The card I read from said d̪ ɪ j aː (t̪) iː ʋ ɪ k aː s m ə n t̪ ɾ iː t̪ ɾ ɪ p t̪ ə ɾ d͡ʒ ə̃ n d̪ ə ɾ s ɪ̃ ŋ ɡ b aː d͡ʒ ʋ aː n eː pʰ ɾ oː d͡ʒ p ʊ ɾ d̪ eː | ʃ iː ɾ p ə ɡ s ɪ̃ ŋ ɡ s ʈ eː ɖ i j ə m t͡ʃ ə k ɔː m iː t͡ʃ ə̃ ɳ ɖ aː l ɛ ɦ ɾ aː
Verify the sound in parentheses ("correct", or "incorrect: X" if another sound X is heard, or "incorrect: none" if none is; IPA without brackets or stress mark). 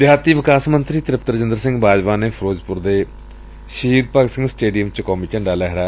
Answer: correct